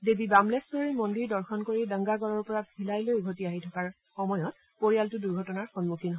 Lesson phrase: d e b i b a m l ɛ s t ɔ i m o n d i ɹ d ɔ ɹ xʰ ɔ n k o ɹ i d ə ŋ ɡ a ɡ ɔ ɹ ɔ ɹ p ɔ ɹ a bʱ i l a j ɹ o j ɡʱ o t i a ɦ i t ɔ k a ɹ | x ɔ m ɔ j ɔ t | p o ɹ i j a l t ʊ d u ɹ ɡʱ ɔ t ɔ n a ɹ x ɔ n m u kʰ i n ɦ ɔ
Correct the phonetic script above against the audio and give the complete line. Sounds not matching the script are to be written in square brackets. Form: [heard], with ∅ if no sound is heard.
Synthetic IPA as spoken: d e b i b a m l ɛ s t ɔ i m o n d i ɹ d ɔ ɹ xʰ ɔ n k o ɹ i d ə ŋ ɡ a ɡ ɔ ɹ ɔ ɹ p ɔ ɹ a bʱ i l a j [l] o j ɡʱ o t i a ɦ i [tʰ] ɔ k a ɹ | x ɔ m ɔ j ɔ t | p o ɹ i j a l t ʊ d u ɹ ɡʱ ɔ t ɔ n a ɹ x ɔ n m u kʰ i n ɦ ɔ